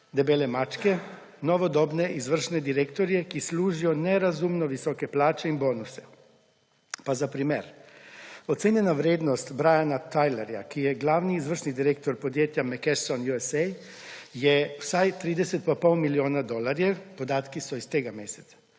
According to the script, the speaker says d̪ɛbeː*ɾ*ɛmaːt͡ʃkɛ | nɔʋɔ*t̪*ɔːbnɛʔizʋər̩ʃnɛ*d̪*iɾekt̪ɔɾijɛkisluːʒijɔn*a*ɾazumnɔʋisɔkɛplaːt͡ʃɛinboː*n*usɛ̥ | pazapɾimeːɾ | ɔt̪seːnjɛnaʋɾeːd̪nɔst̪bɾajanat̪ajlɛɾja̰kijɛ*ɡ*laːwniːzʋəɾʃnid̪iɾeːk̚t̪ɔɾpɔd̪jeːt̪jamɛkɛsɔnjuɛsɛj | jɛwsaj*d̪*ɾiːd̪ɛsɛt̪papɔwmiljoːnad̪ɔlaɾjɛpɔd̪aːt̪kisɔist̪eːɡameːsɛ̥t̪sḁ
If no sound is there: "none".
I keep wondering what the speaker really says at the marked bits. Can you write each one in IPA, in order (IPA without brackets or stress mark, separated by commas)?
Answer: l, d̪, d̪, ɛ, n, ɡ, t̪